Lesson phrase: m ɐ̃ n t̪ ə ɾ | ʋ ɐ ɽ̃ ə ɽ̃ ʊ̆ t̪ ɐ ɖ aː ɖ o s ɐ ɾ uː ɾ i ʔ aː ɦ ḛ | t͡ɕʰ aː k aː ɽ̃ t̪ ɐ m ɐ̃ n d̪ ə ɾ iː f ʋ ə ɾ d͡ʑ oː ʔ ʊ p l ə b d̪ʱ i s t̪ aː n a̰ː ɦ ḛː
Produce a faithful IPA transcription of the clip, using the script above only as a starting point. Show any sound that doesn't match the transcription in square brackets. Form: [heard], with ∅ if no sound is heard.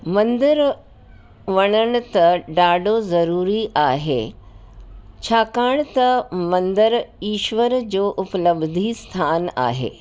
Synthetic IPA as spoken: m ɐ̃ n [d̪] ə ɾ | ʋ ɐ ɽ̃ ə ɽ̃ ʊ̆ t̪ ɐ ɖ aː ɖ o [z] ɐ ɾ uː ɾ i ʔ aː ɦ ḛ | t͡ɕʰ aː k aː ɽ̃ t̪ ɐ m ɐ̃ n d̪ ə ɾ iː [ʃ] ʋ ə ɾ d͡ʑ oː ʔ ʊ p l ə b d̪ʱ i s [t̪ʰ] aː n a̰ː ɦ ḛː